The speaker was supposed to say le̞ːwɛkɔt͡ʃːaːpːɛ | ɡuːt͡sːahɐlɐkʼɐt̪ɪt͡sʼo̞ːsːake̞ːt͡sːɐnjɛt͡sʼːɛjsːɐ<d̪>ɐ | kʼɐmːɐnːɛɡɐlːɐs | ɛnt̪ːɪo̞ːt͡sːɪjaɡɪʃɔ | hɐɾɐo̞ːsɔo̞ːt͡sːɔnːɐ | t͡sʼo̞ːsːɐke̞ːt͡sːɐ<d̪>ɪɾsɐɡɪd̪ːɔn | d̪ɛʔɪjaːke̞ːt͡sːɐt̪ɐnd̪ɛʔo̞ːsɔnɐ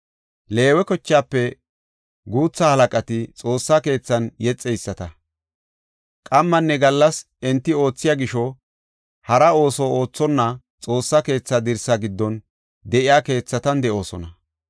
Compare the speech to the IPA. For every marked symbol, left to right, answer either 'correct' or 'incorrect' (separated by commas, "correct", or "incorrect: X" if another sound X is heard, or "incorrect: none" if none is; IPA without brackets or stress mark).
incorrect: t̪, correct